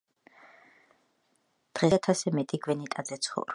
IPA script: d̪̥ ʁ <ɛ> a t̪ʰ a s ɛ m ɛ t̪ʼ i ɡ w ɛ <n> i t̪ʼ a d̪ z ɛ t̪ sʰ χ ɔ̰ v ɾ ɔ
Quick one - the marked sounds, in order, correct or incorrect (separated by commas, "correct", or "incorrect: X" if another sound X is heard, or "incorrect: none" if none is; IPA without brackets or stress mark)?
correct, correct